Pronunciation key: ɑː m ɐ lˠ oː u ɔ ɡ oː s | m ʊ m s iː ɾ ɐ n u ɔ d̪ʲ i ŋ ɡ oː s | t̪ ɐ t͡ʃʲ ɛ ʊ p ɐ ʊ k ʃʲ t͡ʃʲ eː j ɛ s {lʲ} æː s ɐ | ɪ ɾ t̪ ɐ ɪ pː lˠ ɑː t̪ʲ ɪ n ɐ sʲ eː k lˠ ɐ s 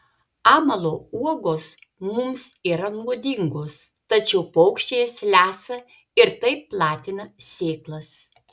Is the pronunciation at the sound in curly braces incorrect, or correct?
correct